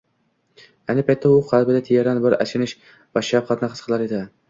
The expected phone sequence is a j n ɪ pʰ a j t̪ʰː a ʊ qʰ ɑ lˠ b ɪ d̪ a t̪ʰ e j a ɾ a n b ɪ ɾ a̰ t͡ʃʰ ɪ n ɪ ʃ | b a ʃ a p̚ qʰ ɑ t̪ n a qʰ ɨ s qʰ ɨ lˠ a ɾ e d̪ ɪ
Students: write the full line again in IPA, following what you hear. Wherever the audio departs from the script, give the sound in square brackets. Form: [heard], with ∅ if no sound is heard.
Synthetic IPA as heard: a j n ɪ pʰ a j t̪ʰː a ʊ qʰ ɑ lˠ b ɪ d̪ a t̪ʰ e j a ɾ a n b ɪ ɾ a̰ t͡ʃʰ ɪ n ɪ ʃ | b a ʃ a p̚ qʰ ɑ t̪ n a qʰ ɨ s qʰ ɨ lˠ a ɾ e d̪ ɪ